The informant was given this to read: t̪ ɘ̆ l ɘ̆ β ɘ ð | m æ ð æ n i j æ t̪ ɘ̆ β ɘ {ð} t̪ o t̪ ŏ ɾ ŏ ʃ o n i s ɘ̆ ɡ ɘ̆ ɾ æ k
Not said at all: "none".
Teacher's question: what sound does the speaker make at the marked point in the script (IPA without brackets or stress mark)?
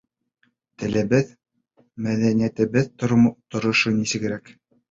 ð